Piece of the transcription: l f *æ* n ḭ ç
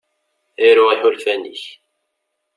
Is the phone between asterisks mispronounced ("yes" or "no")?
no